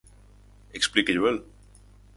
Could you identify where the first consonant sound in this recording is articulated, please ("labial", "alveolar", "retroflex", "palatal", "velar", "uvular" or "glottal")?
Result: velar